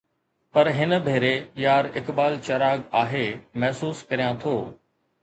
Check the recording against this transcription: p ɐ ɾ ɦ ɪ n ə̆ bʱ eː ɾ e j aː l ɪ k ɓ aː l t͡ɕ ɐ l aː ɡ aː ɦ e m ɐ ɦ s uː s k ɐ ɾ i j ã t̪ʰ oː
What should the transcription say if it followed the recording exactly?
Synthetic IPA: p ɐ ɾ ɦ ɪ n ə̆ bʱ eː ɾ e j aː ɾ ɪ k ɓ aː l t͡ɕ ɐ ɾ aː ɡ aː ɦ e m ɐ ɦ s uː s k ɐ ɾ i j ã t̪ʰ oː